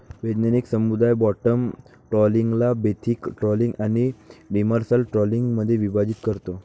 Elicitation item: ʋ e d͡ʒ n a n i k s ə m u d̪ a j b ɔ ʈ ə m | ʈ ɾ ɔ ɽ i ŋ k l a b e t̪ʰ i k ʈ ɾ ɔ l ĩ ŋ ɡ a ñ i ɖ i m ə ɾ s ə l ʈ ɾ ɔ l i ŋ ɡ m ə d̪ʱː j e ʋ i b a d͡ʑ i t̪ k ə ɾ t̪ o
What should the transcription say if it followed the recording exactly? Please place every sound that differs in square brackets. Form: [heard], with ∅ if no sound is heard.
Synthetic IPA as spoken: ʋ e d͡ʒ n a n i k s ə m u d̪ a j b ɔ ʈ ə m | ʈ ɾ ɔ [l] i ŋ [ɡ] l a b e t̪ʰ i k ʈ ɾ ɔ l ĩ ŋ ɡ a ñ i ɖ i m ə ɾ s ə l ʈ ɾ ɔ l i ŋ ɡ m ə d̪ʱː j e ʋ i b a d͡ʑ i t̪ k ə ɾ t̪ o